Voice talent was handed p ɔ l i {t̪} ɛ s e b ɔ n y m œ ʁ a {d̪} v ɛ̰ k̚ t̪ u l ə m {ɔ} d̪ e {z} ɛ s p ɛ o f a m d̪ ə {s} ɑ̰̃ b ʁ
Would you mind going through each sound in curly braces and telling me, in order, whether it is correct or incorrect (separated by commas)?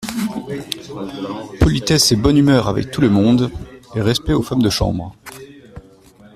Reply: correct, incorrect, incorrect, incorrect, incorrect